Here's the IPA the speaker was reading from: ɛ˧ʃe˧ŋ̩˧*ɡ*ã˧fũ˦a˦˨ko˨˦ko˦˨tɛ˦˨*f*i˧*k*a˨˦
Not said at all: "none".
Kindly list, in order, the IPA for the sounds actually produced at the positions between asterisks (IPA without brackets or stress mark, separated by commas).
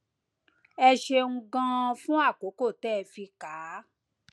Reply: ɡ, f, k